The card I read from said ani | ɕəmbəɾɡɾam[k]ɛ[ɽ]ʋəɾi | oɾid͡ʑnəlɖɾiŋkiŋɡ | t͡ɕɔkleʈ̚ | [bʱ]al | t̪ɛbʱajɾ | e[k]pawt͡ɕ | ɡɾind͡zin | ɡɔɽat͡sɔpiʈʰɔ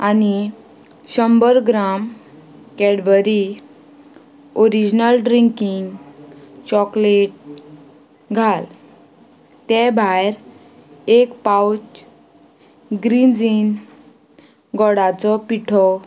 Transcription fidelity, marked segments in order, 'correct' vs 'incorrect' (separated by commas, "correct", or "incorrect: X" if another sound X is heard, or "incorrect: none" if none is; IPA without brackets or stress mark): correct, correct, incorrect: ɡʱ, correct